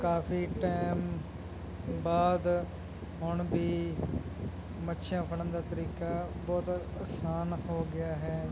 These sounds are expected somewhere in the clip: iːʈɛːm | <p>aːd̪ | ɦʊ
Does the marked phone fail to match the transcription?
yes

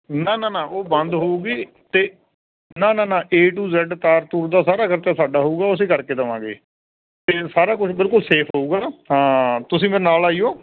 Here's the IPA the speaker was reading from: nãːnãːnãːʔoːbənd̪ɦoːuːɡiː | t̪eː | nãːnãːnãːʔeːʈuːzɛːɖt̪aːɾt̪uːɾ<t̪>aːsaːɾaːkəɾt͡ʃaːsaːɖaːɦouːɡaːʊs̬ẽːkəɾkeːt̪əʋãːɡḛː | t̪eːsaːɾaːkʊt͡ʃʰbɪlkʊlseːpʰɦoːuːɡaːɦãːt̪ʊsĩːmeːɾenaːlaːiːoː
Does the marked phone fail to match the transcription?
yes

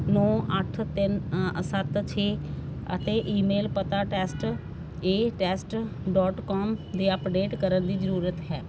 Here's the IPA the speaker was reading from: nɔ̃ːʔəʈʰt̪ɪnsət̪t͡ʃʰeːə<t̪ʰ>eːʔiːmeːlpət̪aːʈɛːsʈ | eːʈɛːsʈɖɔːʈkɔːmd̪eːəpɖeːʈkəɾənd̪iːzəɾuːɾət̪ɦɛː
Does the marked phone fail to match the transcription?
yes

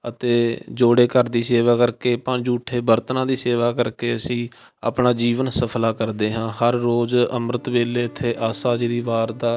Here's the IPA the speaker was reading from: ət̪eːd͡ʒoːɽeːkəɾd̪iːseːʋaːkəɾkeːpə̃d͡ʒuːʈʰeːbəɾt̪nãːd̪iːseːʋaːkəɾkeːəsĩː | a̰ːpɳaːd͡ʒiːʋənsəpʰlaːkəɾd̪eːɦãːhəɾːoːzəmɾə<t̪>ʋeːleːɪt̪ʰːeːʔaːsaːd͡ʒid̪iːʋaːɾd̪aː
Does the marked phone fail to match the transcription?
no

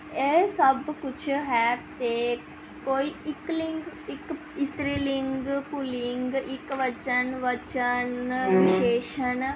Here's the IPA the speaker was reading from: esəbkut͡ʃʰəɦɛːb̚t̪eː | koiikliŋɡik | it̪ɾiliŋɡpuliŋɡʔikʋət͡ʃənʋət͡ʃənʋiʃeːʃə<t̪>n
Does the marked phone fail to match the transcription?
yes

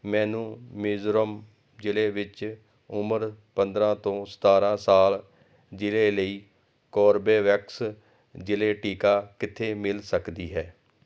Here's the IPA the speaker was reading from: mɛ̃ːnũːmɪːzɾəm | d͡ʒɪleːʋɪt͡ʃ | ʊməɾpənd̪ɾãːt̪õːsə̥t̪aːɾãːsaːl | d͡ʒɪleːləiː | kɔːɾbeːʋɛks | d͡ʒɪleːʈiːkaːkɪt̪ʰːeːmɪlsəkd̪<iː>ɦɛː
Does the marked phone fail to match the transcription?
no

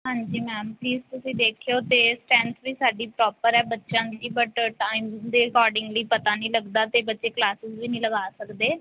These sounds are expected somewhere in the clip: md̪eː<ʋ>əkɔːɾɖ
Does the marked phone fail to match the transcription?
yes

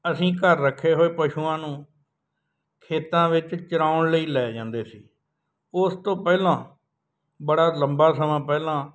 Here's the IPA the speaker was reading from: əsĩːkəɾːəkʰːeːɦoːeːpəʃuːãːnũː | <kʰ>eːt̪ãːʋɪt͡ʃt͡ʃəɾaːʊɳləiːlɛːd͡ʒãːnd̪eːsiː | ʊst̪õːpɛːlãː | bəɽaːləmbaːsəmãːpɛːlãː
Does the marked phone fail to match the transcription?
no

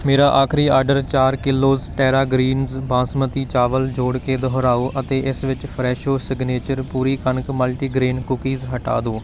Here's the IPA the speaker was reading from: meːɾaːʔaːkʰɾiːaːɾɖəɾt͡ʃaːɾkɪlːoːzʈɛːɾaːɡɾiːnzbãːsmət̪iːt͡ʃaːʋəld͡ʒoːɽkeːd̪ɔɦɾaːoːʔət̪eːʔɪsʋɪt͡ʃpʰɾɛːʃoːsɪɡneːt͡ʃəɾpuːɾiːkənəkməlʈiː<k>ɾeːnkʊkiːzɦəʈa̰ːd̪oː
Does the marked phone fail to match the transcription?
yes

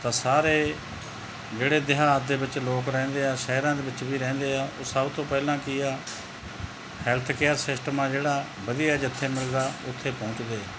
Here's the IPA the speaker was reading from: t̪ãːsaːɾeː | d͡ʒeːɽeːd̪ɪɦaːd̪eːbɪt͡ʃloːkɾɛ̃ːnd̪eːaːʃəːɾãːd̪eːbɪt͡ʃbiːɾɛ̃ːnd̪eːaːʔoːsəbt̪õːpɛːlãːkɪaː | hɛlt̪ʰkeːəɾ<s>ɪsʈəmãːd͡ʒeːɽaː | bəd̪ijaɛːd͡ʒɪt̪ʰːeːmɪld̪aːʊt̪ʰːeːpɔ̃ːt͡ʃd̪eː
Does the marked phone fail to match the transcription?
no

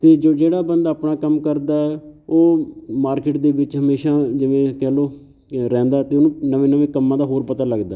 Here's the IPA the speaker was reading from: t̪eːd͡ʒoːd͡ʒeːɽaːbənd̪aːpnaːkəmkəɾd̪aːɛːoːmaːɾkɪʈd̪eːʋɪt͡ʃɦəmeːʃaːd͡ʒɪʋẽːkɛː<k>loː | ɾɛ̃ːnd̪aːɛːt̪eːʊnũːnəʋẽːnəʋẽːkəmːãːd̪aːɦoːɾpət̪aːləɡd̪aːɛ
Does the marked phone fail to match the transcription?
yes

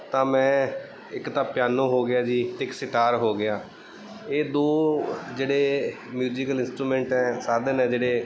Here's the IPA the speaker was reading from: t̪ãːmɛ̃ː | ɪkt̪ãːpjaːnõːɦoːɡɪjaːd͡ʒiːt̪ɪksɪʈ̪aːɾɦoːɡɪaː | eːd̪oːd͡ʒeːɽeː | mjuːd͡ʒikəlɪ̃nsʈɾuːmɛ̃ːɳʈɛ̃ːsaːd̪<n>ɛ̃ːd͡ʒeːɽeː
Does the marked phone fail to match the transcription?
no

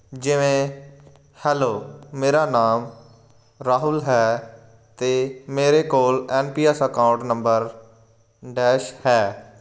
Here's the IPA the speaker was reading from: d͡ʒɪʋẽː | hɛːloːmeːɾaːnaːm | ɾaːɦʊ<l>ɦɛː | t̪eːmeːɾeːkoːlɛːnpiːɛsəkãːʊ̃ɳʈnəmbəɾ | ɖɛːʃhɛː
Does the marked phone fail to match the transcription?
no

